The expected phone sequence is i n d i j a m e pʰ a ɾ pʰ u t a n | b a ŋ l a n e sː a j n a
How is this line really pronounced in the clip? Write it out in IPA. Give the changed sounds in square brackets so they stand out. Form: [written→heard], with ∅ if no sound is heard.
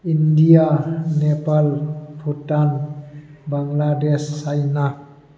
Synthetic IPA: i n d i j a [m→n] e [pʰ→p] a [ɾ→l] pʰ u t a n | b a ŋ l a [n→d] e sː a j n a